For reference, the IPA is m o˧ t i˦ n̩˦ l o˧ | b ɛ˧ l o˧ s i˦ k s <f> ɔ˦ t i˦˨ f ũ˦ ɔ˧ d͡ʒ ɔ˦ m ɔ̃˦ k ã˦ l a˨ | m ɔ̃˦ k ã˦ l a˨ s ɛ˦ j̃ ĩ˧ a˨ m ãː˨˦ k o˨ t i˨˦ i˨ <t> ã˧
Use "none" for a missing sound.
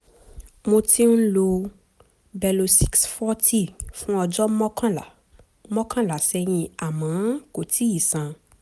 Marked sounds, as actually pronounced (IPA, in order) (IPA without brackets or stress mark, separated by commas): f, s